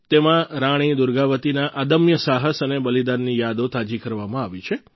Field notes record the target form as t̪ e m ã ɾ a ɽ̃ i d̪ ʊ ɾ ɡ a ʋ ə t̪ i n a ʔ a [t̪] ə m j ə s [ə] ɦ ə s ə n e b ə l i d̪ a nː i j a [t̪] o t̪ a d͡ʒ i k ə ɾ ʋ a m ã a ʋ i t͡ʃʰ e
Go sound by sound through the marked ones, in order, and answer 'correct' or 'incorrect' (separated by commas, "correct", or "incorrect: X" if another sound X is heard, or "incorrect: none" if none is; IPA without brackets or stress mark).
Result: incorrect: d̪, incorrect: a, incorrect: d̪